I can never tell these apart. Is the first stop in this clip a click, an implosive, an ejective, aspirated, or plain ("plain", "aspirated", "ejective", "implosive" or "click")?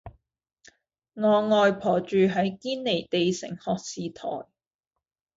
aspirated